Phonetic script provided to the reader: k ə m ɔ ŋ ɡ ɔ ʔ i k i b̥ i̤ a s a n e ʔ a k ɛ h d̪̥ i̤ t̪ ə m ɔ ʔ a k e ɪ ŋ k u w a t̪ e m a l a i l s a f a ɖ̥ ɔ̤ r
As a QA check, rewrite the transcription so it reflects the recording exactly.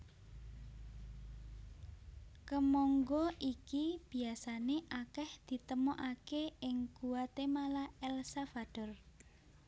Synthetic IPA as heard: k ə m ɔ ŋ ɡ ɔ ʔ i k i b̥ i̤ a s a n e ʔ a k ɛ h d̪̥ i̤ t̪ ə m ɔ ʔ a k e ɪ ŋ k u w a t̪ e m a l a ɛ l s a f a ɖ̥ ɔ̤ r